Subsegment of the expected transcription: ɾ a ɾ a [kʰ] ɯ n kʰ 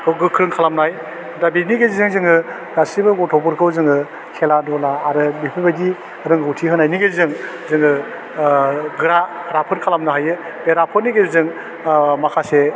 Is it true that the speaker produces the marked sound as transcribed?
no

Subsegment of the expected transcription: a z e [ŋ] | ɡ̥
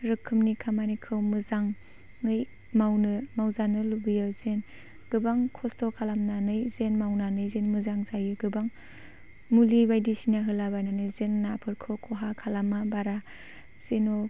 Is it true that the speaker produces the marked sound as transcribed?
no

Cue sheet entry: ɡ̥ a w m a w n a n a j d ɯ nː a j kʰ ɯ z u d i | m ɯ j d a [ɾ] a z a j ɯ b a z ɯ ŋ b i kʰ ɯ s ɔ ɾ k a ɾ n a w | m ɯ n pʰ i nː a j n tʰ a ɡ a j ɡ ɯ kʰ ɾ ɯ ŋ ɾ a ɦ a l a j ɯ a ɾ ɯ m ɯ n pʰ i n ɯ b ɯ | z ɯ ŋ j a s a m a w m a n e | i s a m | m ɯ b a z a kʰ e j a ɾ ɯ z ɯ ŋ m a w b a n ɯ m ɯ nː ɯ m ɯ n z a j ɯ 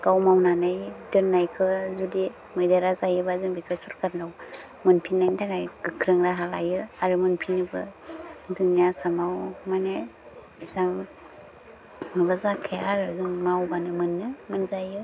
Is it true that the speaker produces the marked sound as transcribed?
yes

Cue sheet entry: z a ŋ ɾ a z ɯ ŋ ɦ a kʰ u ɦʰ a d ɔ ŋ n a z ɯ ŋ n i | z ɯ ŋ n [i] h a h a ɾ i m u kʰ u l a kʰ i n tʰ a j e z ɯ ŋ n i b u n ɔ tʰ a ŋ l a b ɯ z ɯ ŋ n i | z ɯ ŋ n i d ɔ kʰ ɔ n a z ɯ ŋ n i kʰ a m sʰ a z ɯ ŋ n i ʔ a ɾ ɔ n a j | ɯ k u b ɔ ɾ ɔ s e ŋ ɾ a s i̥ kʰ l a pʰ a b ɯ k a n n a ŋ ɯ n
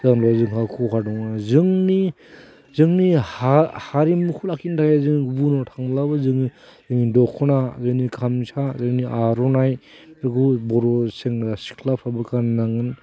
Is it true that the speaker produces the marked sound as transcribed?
yes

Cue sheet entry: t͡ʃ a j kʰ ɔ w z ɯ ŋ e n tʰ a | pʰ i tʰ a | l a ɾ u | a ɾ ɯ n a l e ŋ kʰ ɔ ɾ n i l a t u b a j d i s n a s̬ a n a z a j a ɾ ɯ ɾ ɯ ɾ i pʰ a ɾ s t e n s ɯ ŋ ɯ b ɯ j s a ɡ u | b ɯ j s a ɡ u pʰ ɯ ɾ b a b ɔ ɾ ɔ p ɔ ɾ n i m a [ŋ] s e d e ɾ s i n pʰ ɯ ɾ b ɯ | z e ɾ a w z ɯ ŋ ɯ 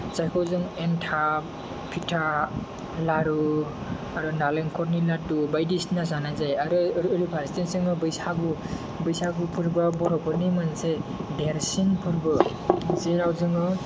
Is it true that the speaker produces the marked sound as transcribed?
no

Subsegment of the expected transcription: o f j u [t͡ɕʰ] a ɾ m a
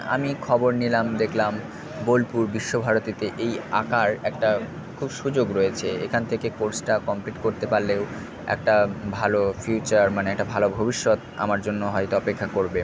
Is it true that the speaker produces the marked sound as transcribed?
no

